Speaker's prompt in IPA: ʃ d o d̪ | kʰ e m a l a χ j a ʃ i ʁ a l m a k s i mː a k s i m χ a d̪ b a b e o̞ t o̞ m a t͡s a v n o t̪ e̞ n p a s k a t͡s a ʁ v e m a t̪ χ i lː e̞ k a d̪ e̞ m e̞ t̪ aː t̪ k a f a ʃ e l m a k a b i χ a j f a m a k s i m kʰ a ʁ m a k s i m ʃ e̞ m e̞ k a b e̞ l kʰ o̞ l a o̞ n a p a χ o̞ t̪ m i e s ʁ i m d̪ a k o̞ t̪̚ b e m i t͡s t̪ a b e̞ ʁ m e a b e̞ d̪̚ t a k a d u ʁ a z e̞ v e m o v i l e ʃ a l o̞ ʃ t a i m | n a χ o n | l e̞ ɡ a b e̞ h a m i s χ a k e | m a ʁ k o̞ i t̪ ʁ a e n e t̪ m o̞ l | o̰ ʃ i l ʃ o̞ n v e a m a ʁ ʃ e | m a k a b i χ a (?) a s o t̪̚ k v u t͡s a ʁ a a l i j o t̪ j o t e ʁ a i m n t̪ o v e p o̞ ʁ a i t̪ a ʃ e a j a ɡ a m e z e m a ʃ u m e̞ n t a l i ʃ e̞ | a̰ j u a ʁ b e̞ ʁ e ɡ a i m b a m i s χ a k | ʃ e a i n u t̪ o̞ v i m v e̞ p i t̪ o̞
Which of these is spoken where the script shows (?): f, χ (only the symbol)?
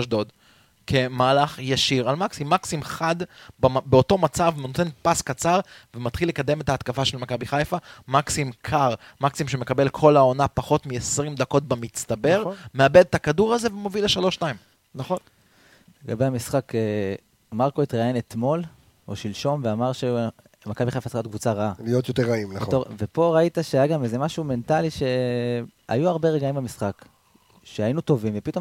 f